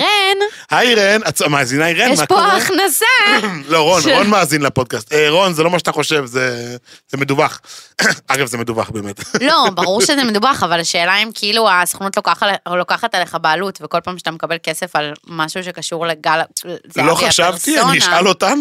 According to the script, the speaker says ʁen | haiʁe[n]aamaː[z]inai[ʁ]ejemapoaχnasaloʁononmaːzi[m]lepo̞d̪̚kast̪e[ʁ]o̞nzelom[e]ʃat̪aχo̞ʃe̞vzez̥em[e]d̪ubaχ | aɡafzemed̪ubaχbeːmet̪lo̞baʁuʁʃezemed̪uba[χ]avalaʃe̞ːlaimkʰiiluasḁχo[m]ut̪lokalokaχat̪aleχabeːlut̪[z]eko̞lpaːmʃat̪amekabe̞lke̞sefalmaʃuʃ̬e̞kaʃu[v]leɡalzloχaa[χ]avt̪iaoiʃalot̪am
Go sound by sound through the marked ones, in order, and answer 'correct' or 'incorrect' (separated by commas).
correct, correct, correct, incorrect, correct, incorrect, correct, correct, incorrect, incorrect, incorrect, incorrect